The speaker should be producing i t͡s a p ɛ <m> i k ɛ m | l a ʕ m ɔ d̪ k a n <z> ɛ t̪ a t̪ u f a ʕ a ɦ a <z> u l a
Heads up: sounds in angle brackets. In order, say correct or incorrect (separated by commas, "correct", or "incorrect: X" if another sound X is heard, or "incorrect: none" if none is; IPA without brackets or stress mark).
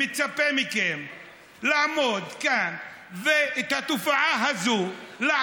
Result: correct, incorrect: v, correct